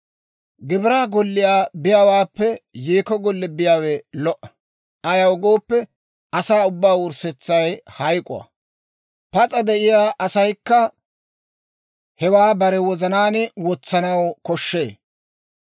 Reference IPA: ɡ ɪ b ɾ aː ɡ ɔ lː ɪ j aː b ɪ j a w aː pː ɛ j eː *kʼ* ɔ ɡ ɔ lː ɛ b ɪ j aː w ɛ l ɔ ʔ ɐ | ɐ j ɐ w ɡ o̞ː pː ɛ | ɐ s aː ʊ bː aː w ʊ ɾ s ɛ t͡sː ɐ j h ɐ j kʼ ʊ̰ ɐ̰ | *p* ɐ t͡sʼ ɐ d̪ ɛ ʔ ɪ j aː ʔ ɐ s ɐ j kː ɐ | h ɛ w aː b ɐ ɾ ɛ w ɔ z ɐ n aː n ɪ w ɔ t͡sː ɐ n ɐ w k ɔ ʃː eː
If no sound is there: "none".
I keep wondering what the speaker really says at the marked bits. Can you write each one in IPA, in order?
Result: k, p

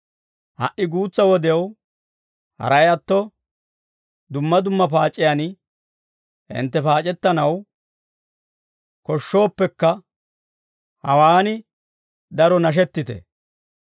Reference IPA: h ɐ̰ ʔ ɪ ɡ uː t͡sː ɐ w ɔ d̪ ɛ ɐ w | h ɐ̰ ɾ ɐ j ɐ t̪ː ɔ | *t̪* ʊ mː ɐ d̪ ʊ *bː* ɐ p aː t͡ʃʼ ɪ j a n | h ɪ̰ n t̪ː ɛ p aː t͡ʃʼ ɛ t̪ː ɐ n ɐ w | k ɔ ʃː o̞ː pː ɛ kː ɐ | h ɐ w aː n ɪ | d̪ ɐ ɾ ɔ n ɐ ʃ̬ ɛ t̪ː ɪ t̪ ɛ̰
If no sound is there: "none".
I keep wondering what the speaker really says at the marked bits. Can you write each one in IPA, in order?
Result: d̪, mː

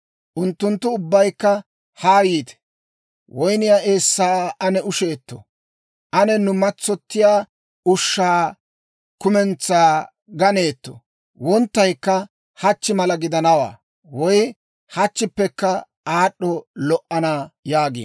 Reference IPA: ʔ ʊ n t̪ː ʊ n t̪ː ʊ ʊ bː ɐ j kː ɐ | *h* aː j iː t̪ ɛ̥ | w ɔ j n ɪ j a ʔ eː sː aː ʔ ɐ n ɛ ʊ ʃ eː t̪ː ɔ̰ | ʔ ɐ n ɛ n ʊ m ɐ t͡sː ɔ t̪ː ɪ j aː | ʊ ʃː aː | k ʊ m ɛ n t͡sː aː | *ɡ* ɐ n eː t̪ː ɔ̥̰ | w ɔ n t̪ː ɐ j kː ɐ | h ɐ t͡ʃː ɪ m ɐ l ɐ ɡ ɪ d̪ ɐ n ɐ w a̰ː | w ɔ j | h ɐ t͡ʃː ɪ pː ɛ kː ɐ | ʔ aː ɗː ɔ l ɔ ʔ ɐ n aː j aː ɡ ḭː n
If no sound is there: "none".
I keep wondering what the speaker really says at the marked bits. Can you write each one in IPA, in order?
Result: h, ɡ

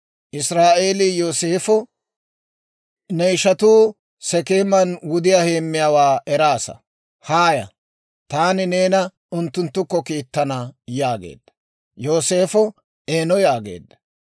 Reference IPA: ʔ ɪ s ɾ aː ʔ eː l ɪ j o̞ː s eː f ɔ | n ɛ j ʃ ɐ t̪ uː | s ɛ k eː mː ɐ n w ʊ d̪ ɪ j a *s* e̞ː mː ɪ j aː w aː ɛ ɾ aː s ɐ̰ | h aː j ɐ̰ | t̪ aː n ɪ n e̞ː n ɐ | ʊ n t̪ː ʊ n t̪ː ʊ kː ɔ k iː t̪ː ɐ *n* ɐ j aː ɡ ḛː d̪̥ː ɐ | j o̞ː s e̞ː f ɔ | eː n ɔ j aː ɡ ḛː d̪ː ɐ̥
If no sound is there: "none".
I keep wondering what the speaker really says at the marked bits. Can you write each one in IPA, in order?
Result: h, n

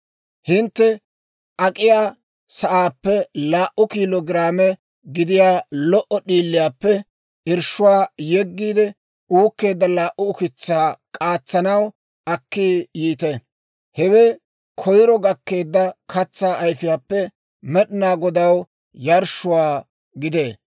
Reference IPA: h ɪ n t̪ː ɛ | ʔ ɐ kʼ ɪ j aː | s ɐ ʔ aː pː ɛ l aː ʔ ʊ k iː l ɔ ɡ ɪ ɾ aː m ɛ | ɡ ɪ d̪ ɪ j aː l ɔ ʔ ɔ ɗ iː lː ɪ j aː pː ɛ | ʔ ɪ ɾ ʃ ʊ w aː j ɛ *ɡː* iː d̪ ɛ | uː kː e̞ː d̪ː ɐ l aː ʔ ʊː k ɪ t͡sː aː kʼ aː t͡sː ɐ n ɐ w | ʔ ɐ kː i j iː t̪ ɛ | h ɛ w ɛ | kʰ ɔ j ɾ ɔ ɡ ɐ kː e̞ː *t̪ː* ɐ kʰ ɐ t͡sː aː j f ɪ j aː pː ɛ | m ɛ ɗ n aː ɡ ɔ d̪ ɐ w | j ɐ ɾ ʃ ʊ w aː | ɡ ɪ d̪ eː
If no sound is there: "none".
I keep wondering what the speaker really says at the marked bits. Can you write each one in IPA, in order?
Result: ɡː, d̪ː

